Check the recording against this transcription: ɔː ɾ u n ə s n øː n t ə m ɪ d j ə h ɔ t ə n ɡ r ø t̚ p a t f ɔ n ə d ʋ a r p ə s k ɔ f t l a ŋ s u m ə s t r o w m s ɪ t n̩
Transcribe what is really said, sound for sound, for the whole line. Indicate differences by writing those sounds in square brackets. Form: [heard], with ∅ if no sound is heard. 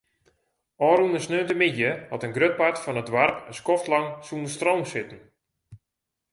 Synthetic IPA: ɔː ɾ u n ə s n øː n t ə m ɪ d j ə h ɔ t ə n ɡ r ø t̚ p a t f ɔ n ə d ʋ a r p ə s k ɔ f t l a ŋ s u [n] ə s t r o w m s ɪ t n̩